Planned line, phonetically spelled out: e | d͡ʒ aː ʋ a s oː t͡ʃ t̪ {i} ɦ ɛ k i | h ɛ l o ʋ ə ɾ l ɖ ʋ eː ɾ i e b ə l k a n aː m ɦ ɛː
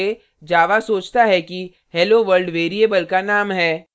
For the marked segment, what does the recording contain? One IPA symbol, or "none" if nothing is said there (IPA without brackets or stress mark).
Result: a